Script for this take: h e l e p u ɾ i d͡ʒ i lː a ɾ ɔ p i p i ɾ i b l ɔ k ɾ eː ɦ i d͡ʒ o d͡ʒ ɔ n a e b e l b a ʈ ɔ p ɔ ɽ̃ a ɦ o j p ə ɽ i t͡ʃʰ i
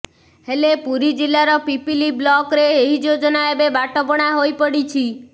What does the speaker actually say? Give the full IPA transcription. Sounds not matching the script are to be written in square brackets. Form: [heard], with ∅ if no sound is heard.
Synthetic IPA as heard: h e l e p u ɾ i d͡ʒ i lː a ɾ ɔ p i p i [l] i b l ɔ k ɾ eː ɦ i d͡ʒ o d͡ʒ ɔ n a e b e [∅] b a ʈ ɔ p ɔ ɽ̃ a ɦ o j p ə ɽ i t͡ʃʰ i